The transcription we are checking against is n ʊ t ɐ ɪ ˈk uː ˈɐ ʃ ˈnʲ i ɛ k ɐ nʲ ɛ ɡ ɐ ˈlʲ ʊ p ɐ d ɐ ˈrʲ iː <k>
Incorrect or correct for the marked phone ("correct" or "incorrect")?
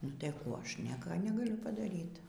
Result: incorrect